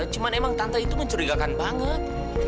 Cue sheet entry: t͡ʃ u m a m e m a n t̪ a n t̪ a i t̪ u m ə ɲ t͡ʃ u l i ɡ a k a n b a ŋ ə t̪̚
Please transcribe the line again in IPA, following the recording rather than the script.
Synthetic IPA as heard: t͡ʃ u m a n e m a ŋ t̪ a n t̪ a i t̪ u m ə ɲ t͡ʃ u ɾ i ɡ a k a n b a ŋ ə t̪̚